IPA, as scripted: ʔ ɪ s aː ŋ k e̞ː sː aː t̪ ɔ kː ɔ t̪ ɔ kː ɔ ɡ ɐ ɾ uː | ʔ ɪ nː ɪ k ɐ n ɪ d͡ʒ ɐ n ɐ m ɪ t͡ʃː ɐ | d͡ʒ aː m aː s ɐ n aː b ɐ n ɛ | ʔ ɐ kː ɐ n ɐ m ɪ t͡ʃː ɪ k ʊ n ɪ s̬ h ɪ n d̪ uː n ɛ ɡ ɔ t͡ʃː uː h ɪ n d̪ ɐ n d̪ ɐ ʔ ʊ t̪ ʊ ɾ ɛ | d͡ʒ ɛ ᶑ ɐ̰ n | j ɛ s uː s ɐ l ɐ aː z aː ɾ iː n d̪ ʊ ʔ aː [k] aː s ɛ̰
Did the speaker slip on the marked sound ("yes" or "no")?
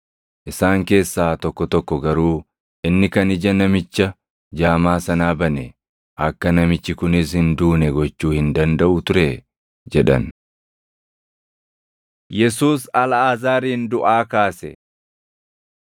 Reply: no